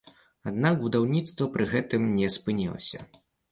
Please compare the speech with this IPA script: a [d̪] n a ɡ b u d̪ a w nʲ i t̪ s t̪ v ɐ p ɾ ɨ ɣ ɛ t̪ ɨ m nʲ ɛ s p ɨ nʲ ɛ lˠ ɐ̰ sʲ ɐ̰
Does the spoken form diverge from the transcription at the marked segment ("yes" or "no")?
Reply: no